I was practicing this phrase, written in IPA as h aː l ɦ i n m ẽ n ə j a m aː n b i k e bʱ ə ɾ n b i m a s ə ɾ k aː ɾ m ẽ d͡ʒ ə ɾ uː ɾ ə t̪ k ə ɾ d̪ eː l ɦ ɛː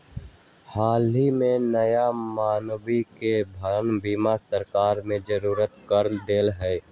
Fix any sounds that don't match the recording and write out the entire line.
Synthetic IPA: h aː l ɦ i m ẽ n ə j a m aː n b i k e bʱ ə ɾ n b i m a s ə ɾ k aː ɾ m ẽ d͡ʒ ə ɾ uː ɾ ə t̪ k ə ɾ d̪ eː l ɦ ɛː